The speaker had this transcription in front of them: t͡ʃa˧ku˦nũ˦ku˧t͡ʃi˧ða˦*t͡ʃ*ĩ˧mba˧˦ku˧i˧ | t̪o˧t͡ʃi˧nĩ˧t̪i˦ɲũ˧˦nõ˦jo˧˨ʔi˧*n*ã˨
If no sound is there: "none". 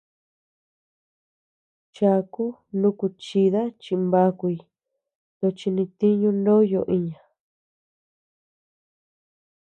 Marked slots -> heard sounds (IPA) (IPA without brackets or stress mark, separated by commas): t͡ʃ, ɲ